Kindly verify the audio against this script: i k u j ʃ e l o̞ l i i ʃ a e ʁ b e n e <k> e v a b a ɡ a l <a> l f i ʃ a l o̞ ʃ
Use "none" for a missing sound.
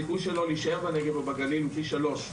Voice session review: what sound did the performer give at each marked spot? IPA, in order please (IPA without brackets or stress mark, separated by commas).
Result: ɡ, i